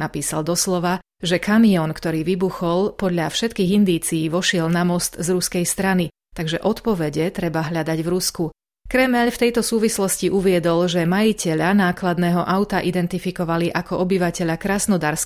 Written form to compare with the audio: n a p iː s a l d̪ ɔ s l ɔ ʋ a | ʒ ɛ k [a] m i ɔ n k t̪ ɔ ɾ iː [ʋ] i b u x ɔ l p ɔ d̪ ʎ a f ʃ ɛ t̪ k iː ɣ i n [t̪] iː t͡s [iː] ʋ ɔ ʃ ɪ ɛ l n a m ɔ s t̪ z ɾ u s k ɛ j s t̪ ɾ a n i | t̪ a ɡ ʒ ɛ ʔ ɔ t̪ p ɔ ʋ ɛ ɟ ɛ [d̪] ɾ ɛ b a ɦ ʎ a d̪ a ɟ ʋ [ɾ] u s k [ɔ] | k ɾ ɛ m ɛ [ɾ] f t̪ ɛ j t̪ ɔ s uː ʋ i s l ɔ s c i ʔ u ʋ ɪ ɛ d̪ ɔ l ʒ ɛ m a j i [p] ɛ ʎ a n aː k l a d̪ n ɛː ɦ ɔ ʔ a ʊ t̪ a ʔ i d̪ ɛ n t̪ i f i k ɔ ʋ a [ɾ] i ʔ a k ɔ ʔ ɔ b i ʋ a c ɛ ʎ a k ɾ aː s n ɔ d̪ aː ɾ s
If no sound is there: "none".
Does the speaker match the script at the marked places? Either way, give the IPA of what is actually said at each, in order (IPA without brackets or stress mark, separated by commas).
a, ʋ, d̪, iː, t̪, ɾ, u, ʎ, c, l